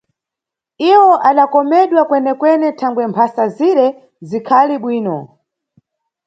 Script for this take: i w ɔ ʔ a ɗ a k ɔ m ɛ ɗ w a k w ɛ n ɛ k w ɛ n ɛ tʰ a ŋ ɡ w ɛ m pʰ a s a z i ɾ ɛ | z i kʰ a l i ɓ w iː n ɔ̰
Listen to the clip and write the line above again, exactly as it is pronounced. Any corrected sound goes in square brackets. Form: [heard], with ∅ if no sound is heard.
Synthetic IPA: i w ɔ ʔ a ɗ a k ɔ m ɛ ɗ w a k w ɛ n ɛ k w ɛ n ɛ tʰ a ŋ ɡ w ɛ m pʰ a s a z i ɾ ɛ | z i kʰ a l i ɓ w iː n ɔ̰